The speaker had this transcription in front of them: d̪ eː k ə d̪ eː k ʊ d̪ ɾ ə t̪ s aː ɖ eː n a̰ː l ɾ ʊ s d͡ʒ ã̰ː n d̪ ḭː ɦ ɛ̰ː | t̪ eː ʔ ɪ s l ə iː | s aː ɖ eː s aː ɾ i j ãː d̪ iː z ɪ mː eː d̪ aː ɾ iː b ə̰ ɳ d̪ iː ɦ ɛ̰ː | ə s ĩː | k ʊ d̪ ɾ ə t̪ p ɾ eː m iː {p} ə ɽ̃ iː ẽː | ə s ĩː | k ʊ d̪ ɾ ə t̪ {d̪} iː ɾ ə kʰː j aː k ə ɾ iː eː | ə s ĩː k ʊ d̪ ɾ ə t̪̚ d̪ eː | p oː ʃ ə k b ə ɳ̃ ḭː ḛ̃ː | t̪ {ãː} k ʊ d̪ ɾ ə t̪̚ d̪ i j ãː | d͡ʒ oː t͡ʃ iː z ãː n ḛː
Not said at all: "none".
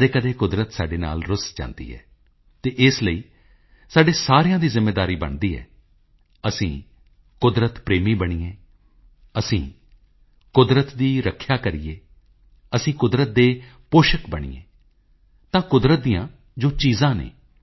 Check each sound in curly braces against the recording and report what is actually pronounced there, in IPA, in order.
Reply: b, d̪, ãː

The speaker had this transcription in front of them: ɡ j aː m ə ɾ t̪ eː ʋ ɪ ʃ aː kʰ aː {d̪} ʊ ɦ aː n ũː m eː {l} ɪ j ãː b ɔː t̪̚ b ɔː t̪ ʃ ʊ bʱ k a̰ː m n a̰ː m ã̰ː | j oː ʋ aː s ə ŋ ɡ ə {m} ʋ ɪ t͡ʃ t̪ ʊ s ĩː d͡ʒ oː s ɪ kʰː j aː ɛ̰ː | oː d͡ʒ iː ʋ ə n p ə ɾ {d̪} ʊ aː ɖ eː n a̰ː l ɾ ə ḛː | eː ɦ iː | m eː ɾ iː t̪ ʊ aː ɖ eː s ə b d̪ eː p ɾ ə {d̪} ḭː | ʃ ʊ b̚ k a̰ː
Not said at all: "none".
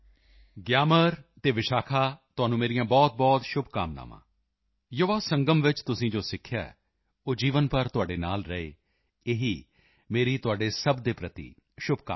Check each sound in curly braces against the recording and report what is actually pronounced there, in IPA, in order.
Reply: t̪, ɾ, m, t̪, t̪

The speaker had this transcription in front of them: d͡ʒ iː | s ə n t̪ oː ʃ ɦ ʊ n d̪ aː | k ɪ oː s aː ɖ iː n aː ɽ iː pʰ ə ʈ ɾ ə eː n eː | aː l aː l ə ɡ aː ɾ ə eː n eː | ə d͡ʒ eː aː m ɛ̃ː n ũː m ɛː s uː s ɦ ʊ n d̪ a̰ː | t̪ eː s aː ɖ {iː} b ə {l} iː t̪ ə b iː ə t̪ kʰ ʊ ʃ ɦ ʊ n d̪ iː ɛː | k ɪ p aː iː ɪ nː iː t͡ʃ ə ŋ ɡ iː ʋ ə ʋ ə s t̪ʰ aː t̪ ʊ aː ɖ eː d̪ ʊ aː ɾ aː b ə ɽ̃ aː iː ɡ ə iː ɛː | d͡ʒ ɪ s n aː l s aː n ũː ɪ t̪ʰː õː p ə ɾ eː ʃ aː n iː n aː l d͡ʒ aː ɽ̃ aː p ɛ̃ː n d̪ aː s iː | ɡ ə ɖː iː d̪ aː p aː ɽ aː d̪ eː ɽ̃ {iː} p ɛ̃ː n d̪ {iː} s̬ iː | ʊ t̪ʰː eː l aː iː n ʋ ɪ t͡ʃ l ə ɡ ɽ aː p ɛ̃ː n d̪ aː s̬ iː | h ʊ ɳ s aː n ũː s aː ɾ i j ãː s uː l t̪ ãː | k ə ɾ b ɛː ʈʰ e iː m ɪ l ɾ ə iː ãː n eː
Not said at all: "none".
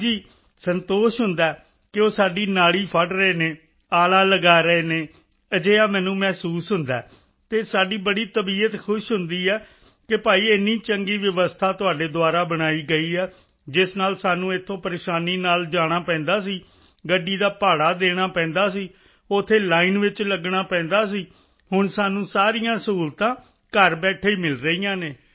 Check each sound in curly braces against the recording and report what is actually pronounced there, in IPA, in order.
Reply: iː, ɽ, aː, aː

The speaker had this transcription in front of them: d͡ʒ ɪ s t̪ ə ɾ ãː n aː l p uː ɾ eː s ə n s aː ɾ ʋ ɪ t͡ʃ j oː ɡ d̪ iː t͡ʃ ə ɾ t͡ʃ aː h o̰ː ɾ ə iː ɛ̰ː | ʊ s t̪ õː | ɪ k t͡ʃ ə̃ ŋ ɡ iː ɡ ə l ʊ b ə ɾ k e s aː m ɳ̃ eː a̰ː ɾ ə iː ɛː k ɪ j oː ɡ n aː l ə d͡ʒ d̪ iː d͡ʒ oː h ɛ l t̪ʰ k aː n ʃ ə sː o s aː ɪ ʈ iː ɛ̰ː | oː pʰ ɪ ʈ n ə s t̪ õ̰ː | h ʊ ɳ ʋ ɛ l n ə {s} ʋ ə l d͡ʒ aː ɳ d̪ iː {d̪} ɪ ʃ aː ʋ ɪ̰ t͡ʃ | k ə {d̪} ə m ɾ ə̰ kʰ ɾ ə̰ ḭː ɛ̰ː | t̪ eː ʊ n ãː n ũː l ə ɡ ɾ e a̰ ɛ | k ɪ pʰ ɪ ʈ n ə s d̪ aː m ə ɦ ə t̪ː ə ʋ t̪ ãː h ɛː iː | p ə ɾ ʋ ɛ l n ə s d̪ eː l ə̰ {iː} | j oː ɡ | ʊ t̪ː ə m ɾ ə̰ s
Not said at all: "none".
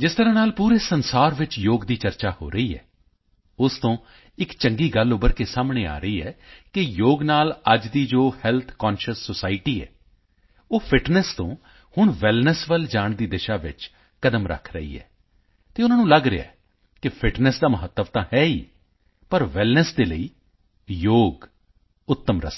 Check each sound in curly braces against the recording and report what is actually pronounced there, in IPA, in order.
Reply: s, d̪, d̪, iː

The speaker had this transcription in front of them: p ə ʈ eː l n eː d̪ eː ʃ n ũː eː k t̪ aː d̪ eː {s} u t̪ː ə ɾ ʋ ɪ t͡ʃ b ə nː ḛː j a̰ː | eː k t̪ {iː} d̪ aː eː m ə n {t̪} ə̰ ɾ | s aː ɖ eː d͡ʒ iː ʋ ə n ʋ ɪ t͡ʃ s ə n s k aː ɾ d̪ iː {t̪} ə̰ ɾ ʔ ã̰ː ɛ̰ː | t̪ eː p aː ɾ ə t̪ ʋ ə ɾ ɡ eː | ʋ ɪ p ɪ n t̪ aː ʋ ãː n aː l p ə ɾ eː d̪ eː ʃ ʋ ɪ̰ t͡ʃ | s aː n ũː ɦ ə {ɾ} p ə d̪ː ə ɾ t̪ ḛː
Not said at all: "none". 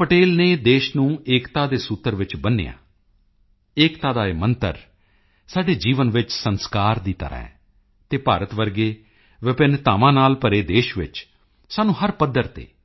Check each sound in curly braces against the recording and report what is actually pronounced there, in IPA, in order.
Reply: s, aː, t̪, t̪, ɾ

